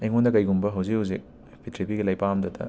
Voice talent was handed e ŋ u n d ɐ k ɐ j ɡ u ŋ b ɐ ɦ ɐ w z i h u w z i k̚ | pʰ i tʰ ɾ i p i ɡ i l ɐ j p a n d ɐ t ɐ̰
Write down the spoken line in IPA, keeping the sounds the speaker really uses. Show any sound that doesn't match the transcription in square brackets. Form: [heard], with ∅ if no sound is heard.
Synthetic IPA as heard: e ŋ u n d ɐ k ɐ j ɡ u [m] b ɐ ɦ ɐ w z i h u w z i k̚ | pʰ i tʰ ɾ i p i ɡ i l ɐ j p a [m] d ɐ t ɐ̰